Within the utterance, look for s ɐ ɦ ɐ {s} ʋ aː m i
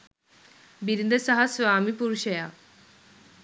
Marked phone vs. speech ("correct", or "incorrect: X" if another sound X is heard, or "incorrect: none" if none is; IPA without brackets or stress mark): correct